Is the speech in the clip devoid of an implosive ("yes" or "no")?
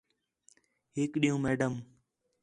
no